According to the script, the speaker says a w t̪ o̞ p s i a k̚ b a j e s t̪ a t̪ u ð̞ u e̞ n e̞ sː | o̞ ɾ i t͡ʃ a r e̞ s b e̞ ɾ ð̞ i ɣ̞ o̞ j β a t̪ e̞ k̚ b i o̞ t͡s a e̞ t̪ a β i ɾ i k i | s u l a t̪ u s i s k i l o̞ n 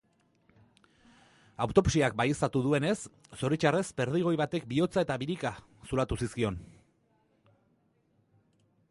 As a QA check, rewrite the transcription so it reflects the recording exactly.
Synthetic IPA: a w t̪ o̞ p s i a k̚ b a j e s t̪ a t̪ u ð̞ u e̞ n e̞ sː | o̞ ɾ i t͡ʃ a r e̞ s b e̞ ɾ ð̞ i ɣ̞ o̞ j β a t̪ e̞ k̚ b i o̞ t͡s a e̞ t̪ a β i ɾ i k a | s u l a t̪ u s i s k i o̞ n